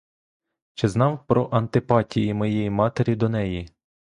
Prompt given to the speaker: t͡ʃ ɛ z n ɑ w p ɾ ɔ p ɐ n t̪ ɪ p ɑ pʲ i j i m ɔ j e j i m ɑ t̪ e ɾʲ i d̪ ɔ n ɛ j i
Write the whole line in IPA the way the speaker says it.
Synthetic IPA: t͡ʃ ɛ z n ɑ w p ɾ ɔ ʔ ɐ n t̪ ɪ p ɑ tʲ i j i m ɔ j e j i m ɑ t̪ e ɾʲ i d̪ ɔ n ɛ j i